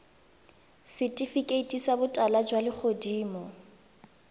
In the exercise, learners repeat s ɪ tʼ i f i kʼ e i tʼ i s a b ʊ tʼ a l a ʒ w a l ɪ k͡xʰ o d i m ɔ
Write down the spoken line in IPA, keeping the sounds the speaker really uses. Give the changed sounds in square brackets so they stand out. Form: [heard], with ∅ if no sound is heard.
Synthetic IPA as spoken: s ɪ tʼ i f i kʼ e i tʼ i s a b ʊ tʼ a l a [d͡ʒ] w a l ɪ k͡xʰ o d [iː] m ɔ